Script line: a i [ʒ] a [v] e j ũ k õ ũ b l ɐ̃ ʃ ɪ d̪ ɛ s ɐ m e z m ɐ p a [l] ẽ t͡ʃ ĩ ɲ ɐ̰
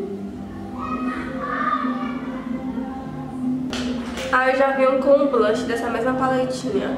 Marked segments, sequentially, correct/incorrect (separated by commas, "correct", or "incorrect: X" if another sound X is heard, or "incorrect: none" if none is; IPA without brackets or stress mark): correct, correct, correct